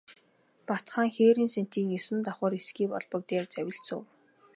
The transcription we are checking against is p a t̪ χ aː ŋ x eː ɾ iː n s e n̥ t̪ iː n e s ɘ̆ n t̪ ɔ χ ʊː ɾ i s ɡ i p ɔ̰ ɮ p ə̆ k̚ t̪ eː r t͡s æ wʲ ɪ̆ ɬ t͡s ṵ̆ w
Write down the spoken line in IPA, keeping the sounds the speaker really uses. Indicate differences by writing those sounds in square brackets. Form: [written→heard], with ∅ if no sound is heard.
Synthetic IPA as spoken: p a t̪ χ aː ŋ x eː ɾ iː n s e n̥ t̪ iː [n→ŋ] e s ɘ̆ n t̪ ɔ χ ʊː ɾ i s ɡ [i→iː] p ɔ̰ ɮ p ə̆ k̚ t̪ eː r t͡s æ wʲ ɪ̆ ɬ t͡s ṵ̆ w